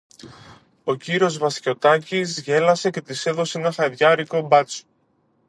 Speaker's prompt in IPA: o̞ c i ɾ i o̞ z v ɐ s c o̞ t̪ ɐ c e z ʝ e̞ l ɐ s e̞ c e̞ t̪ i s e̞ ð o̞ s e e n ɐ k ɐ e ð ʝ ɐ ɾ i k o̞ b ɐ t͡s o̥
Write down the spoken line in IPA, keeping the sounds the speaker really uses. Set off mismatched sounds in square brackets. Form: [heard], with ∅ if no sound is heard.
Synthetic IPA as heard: o̞ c i ɾ i o̞ z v ɐ s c o̞ t̪ ɐ c [i] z ʝ e̞ l ɐ s e̞ c e̞ t̪ i s e̞ ð o̞ s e e n ɐ [x] ɐ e ð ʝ ɐ ɾ i k o̞ b ɐ t͡s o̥